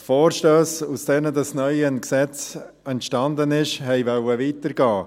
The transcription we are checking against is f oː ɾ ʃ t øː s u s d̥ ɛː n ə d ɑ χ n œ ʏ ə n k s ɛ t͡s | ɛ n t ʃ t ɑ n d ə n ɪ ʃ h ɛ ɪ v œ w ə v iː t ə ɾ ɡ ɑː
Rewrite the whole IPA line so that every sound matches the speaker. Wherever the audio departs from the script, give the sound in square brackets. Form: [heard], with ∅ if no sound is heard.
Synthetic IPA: f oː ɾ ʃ t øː s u s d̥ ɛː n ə d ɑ [s] n œ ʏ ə n k s ɛ t͡s | ɛ n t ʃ t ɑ n d ə n ɪ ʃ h ɛ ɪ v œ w ə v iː t ə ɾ ɡ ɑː